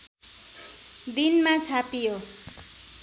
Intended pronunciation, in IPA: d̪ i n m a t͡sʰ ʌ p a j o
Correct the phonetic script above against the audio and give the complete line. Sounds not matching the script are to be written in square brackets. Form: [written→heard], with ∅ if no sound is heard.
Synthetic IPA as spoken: d̪ i n m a t͡sʰ [ʌ→a] p [a→i] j o